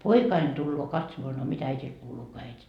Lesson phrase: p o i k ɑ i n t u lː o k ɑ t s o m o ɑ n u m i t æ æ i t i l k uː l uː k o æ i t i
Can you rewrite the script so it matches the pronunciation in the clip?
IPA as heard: p o i k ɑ i n t u lː oː k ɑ t s o m o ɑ n o m i t æ æ i t i l k uː l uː k o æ i t i